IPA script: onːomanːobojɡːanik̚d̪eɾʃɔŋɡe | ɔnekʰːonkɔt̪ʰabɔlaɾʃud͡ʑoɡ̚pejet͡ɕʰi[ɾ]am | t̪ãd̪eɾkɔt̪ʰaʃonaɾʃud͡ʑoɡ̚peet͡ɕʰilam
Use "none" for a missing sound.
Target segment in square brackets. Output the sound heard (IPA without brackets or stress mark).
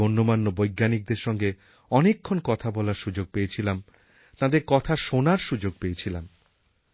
l